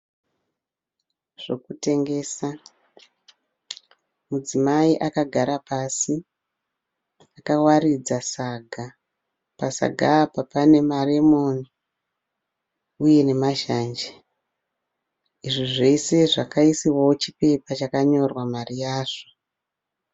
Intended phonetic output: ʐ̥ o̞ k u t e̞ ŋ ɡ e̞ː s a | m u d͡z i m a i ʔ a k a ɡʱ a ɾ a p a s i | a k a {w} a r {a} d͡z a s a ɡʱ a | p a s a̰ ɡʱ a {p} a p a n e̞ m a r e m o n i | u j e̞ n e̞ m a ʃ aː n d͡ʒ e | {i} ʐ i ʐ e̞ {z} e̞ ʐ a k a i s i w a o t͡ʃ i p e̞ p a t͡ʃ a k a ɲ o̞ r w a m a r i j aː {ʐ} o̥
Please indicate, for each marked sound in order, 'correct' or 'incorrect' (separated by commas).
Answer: correct, incorrect, correct, correct, incorrect, correct